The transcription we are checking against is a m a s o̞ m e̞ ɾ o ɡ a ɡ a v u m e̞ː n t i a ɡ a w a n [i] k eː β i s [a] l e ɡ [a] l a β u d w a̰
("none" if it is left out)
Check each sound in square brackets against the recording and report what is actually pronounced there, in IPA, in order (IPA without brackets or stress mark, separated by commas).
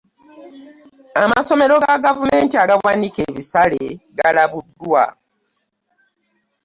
i, a, a